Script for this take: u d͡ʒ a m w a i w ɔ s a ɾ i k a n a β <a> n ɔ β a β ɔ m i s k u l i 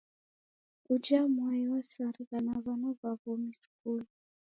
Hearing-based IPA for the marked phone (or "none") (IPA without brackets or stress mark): a